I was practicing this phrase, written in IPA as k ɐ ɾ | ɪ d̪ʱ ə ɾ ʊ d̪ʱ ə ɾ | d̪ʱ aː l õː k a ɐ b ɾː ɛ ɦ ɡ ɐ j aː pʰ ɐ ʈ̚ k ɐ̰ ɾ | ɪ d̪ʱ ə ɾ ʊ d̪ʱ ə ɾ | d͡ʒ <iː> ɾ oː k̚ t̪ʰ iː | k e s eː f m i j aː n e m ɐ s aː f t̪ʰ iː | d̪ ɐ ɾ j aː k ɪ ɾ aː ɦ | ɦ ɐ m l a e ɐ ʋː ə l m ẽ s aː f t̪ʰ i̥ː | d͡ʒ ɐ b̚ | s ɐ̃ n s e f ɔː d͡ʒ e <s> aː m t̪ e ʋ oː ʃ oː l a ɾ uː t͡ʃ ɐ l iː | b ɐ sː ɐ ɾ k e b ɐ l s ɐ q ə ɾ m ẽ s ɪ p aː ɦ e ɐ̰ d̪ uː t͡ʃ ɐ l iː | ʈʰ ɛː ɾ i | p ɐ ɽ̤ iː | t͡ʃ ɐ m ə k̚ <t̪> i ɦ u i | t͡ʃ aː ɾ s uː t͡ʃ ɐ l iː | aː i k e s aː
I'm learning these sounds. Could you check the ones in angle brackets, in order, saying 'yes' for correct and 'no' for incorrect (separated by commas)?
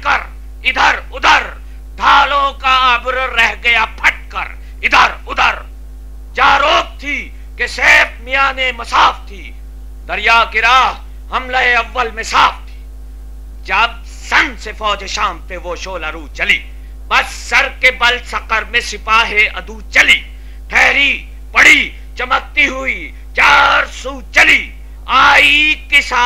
no, no, yes